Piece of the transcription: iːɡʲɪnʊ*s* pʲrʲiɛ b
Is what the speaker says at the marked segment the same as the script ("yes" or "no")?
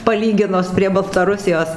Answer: yes